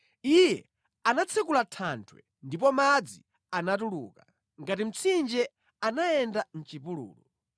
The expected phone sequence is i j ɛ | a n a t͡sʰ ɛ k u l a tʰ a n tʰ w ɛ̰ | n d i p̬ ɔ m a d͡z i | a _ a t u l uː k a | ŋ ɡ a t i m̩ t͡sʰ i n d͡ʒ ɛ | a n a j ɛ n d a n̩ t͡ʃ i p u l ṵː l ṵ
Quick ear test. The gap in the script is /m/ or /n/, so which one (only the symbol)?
n